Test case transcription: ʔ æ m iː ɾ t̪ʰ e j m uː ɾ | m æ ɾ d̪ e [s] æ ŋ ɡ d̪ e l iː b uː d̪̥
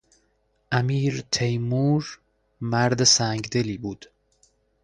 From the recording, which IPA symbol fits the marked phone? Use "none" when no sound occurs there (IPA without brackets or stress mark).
s